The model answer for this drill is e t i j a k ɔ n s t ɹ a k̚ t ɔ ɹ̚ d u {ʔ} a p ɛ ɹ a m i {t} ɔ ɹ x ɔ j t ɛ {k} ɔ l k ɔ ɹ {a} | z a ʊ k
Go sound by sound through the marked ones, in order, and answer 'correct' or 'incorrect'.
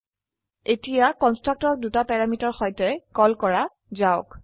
incorrect: t, correct, correct, correct

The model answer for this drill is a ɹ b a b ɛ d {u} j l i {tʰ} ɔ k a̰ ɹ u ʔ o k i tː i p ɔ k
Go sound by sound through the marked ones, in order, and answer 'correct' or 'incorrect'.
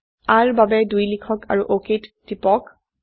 correct, incorrect: kʰ

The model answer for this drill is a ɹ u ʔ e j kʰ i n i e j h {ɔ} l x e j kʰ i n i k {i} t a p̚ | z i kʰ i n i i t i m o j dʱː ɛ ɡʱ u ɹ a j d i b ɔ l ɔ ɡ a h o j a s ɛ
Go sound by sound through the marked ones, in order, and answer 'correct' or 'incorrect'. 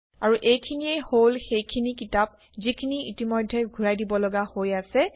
incorrect: o, correct

